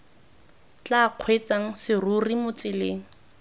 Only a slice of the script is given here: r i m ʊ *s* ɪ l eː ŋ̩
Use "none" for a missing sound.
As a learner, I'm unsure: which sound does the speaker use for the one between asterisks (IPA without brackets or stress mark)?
t͡s